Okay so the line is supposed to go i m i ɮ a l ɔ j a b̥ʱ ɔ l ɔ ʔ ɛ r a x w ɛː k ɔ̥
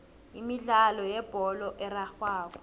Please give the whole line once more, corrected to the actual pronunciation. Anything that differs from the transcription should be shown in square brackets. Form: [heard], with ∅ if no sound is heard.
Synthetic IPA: i m i ɮ a l ɔ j [ɛ] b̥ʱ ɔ l ɔ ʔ ɛ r a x w [aː] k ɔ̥